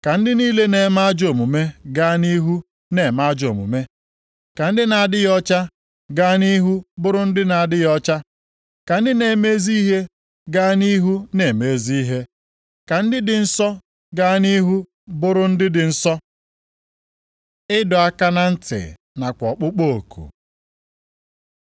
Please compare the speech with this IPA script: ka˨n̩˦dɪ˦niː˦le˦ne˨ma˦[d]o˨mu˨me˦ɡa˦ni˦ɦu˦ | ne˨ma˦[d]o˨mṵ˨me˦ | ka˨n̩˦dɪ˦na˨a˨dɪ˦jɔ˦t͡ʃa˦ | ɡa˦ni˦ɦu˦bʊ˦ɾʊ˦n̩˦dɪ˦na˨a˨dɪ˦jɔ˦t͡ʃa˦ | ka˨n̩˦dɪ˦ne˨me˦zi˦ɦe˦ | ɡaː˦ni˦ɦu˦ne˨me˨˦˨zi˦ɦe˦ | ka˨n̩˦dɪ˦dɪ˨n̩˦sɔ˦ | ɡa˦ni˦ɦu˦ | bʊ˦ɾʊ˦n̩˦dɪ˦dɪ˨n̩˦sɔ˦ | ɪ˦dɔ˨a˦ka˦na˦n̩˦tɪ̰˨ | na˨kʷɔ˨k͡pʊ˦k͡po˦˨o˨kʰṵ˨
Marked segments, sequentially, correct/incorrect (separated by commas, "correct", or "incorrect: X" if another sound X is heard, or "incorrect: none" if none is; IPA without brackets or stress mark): incorrect: d͡ʒ, incorrect: d͡ʒ